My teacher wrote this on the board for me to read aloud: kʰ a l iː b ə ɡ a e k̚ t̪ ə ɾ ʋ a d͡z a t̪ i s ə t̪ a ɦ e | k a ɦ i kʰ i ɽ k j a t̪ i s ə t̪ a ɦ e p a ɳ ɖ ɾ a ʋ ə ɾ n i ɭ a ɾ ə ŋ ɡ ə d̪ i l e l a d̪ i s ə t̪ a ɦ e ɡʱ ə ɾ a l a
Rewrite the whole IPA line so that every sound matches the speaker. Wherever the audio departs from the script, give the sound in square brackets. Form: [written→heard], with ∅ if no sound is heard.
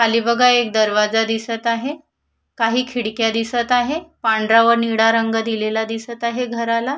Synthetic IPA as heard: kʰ a l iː b ə ɡ a e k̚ [t̪→d̪] ə ɾ ʋ a d͡z a [t̪→d̪] i s ə t̪ a ɦ e | k a ɦ [i→iː] kʰ i ɽ k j a [t̪→d̪] i s ə t̪ a ɦ e p a ɳ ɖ ɾ a ʋ ə ɾ n i [ɭ→ɽ] a ɾ ə ŋ ɡ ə d̪ i l e l a d̪ i s ə t̪ a ɦ e ɡʱ ə ɾ a l a